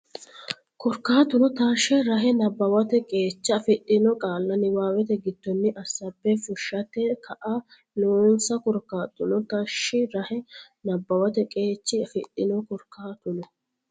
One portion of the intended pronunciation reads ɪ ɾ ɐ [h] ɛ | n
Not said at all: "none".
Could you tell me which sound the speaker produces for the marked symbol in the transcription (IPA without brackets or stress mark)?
h